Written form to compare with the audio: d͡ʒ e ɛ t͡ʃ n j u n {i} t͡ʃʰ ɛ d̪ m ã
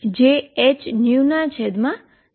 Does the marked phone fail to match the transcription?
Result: yes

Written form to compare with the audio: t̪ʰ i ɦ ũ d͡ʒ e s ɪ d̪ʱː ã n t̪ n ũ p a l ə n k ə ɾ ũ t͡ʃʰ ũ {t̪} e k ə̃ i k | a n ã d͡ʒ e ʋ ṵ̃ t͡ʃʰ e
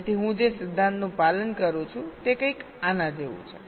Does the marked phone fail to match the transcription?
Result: no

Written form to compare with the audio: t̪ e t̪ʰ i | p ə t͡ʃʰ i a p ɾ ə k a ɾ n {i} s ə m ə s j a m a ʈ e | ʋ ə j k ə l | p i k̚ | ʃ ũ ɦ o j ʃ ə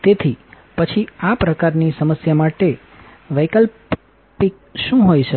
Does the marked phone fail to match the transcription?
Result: no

